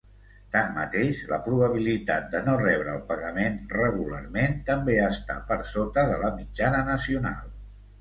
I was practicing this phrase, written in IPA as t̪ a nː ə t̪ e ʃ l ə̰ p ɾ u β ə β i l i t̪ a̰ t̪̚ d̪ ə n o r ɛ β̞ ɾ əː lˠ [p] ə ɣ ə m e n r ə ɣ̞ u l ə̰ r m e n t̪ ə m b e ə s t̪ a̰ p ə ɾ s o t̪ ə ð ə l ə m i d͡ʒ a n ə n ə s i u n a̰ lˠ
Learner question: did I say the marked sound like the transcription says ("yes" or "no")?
yes